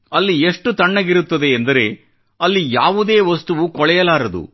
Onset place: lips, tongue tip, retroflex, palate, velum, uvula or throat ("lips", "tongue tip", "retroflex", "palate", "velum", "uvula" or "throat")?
tongue tip